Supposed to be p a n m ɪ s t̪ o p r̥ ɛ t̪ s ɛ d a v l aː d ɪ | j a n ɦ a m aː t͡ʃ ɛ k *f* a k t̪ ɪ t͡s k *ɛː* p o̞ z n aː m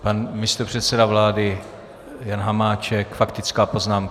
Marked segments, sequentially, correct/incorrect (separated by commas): correct, incorrect